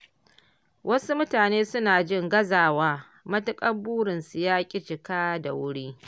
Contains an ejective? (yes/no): yes